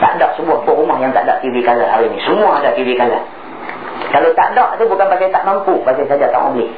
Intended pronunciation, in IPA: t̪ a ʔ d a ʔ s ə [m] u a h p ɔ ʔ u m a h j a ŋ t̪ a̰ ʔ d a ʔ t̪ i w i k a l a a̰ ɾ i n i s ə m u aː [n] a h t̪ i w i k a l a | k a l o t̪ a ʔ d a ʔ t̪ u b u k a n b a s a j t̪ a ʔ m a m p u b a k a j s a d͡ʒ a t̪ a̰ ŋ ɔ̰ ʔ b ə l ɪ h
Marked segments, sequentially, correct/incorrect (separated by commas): incorrect, incorrect